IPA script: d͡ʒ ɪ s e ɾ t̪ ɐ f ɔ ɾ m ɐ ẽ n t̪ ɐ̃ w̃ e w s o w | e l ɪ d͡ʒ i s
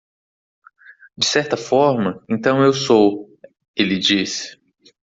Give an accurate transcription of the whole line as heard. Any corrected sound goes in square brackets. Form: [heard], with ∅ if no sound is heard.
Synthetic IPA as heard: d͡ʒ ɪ s [ɛ] ɾ t̪ ɐ f ɔ ɾ m ɐ ẽ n t̪ ɐ̃ w̃ e w s o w | e l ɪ d͡ʒ i s

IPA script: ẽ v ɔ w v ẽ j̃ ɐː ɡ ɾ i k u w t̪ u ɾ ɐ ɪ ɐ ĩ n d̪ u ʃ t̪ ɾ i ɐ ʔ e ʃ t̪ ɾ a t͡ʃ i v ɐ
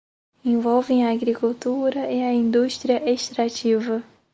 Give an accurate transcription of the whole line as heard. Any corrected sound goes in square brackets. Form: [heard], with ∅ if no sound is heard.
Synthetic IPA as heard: ẽ v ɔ w v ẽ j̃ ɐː ɡ ɾ i k u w t̪ u ɾ ɐ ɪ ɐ ĩ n d̪ u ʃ t̪ ɾ i ɐ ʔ e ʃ t̪ ɾ a t͡ʃ i v ɐ

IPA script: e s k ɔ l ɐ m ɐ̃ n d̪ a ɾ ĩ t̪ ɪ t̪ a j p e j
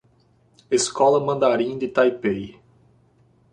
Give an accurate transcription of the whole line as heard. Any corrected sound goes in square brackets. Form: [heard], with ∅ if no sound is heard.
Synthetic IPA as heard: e s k ɔ l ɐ m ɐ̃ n d̪ a ɾ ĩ [d̪] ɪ t̪ a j p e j

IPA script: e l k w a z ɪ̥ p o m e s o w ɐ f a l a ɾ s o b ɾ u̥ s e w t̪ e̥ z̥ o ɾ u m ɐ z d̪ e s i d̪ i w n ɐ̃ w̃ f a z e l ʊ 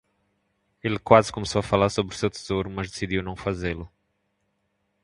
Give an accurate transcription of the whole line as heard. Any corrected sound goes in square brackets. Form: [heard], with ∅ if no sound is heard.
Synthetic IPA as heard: e l k w a z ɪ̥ [k] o m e s o w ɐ f a l a ɾ s o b ɾ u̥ s e w t̪ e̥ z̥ o ɾ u m ɐ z d̪ e s i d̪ i w n ɐ̃ w̃ f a z e l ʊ

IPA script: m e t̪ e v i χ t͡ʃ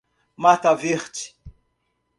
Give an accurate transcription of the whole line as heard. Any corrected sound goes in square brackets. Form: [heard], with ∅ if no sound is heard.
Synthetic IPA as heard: m [a] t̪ [a] v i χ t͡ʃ

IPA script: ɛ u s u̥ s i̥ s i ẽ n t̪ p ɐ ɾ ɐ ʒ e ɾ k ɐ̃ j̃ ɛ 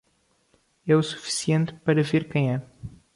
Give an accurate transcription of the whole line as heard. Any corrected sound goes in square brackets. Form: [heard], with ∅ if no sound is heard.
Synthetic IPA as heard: ɛ u s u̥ [f] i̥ s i ẽ n t̪ p ɐ ɾ ɐ [v] e ɾ k ɐ̃ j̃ ɛ

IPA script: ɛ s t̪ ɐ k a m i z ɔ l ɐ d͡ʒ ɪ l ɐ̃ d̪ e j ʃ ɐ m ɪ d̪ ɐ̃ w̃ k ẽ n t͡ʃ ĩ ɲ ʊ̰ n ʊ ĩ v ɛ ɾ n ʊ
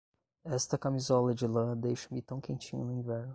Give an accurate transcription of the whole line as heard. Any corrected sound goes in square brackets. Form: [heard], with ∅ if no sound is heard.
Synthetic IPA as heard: ɛ s t̪ ɐ k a m i z ɔ l ɐ d͡ʒ ɪ l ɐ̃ d̪ e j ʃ ɐ m ɪ [t̪] ɐ̃ w̃ k ẽ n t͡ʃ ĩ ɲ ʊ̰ n ʊ ĩ v ɛ ɾ n ʊ

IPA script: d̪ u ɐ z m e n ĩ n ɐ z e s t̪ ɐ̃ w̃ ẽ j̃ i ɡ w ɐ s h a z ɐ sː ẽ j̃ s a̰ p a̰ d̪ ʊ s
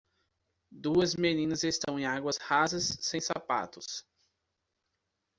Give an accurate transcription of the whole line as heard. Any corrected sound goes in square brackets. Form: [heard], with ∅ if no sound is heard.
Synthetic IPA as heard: d̪ u ɐ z m e n ĩ n ɐ z e s t̪ ɐ̃ w̃ ẽ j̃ [a] ɡ w ɐ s h a z ɐ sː ẽ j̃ s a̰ p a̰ [t̪] ʊ s

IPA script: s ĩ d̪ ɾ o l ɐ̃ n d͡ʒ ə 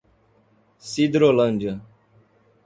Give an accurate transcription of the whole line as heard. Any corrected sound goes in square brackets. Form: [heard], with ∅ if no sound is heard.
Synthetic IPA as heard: s [i] d̪ ɾ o l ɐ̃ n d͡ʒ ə

